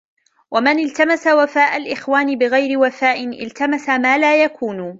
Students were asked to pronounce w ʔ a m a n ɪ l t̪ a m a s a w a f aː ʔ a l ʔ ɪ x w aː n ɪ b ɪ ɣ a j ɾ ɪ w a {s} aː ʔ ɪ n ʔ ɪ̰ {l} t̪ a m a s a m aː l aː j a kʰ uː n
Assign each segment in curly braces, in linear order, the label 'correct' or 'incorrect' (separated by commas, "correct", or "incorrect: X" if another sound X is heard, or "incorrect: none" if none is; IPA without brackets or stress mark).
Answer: incorrect: f, correct